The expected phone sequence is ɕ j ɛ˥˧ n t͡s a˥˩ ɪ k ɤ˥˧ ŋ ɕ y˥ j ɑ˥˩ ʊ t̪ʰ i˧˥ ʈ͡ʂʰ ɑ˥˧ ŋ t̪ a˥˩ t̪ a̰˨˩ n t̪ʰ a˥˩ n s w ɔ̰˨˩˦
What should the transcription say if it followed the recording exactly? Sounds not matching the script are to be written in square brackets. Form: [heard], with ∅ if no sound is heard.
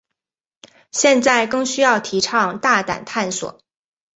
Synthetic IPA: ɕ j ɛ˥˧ n t͡s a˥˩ ɪ k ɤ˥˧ ŋ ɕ y˥ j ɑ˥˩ ʊ t̪ʰ i˧˥ ʈ͡ʂʰ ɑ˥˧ ŋ t̪ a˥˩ t̪ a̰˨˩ n t̪ʰ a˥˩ n s w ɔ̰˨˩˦